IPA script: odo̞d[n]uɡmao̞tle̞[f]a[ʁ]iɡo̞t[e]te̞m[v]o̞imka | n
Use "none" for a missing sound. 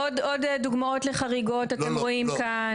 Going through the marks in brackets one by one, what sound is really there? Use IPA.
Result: d, χ, ʁ, a, ʁ

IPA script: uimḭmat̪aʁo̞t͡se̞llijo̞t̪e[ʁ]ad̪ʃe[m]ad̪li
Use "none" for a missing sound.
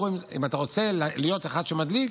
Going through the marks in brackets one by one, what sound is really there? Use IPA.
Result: χ, m

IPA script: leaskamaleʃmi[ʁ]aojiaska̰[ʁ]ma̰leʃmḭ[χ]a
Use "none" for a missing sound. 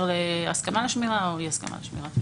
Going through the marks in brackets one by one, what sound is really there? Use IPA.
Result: ʁ, none, ʁ

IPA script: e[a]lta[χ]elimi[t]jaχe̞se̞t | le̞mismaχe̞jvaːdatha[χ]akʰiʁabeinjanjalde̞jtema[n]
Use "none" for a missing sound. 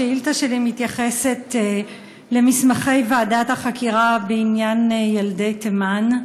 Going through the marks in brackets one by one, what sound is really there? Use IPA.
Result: i, ʃ, t, χ, n

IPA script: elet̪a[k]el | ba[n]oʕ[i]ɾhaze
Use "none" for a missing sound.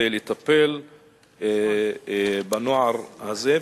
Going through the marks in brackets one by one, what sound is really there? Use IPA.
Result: p, n, a

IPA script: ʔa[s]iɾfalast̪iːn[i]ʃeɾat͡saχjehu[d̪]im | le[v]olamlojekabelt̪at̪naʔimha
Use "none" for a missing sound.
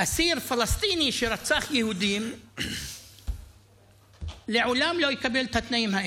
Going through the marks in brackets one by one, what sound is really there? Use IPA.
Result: s, i, d̪, ʕ

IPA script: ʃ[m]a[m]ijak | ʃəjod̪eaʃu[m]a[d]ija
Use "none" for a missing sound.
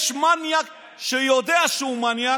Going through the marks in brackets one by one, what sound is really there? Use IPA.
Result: m, n, m, n

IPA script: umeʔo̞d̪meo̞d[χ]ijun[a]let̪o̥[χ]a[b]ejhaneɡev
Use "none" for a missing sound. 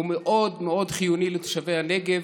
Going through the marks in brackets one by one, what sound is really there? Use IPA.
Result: χ, i, ʃ, v

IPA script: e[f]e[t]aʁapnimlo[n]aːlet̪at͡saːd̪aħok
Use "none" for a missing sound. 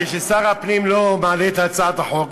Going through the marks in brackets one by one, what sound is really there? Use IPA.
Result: ʃ, s, m

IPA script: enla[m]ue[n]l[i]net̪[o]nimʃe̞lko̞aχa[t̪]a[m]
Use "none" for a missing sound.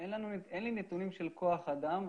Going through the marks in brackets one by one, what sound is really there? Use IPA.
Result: n, n, i, u, d̪, m

